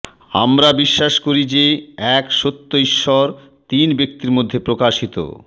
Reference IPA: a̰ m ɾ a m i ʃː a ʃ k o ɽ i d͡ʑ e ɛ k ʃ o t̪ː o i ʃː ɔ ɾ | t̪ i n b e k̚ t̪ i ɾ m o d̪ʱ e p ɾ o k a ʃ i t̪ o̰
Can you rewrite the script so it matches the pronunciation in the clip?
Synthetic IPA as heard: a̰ m ɾ a b i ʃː a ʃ k o ɾ i d͡ʑ e ɛ k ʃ o t̪ː o i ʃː ɔ ɾ | t̪ i n b e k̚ t̪ i ɾ m o d̪ʱː e p ɾ o k a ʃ i t̪ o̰